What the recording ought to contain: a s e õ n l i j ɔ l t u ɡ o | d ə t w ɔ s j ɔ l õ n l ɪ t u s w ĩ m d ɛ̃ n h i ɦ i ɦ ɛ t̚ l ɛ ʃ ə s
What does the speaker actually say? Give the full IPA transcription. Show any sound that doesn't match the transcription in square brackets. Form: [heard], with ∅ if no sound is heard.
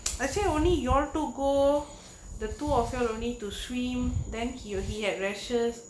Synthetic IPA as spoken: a s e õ n l i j ɔ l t u ɡ o | d ə t [u] ɔ [f] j ɔ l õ n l [i] t u s w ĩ m d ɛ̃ n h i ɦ i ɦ ɛ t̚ [ɹ] ɛ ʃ ə s

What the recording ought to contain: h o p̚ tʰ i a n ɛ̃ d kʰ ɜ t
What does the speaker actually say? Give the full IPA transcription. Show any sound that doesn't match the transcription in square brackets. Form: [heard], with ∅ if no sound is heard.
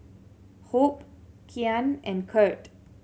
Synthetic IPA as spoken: h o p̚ [kʰ] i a n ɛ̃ [n] kʰ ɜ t

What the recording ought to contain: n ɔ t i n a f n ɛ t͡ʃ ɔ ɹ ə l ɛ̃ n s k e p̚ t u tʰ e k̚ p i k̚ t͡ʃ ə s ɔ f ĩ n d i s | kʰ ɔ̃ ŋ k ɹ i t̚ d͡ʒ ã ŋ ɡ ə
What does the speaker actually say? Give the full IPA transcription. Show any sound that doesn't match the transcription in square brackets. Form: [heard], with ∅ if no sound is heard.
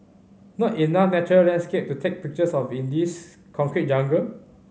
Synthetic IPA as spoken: n ɔ t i n a f n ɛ t͡ʃ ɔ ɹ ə l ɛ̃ n s k e p̚ t u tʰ e k̚ p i k̚ t͡ʃ ə s ɔ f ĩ n d i s | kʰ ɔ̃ ŋ k ɹ i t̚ d͡ʒ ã ŋ ɡ ə

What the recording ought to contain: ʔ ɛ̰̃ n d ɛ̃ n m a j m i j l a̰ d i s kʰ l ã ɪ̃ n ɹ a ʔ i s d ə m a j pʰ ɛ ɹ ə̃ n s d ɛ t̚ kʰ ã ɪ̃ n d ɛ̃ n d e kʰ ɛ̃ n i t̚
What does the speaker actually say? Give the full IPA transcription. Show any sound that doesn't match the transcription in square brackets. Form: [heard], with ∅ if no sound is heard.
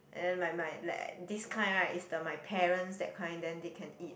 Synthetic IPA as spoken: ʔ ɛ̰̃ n d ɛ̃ n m a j m [a] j l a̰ d i s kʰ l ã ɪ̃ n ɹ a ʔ i s d ə m a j pʰ ɛ ɹ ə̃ n s d ɛ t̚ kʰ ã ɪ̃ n d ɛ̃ n d e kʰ ɛ̃ n i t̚

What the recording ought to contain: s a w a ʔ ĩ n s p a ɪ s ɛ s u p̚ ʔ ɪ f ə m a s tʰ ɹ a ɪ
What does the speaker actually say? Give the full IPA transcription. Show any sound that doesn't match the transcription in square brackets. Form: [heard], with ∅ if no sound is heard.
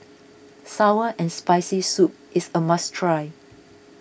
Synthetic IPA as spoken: s a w [ə] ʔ [ɛ̃] n s p a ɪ s [i] s u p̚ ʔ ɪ [s] ə m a s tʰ ɹ a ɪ

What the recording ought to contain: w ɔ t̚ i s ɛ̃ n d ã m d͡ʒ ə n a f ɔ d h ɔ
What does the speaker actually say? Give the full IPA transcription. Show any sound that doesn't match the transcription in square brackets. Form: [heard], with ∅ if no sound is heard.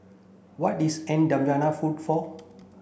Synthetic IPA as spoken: w ɔ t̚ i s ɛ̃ n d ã m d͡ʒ [a] n a f [u] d [f] ɔ

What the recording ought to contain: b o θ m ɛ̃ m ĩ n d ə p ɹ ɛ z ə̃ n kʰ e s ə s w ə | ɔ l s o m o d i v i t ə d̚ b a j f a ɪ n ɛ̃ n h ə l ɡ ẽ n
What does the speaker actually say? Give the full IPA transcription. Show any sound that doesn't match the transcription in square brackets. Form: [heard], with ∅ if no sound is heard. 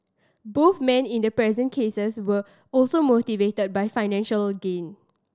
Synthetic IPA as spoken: b o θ m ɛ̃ [n] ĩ n d ə p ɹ ɛ z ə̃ n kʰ e s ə s w ə | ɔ l s o m o [t] i v [e] t ə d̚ b a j f a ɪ n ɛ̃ n [ʃ] ə l ɡ ẽ n

